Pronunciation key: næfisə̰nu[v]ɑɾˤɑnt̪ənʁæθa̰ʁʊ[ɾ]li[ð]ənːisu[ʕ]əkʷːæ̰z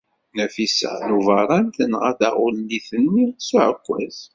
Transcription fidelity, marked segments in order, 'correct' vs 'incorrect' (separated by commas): correct, incorrect, incorrect, correct